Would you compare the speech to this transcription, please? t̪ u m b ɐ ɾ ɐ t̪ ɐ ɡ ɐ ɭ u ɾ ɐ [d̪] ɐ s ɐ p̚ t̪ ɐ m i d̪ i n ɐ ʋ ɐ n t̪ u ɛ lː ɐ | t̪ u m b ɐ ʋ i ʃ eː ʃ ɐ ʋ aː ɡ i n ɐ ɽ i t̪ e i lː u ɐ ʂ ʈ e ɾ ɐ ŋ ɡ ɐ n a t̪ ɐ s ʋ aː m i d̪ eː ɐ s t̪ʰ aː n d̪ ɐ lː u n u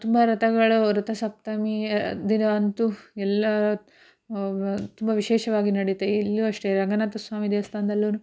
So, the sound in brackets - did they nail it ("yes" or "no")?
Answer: no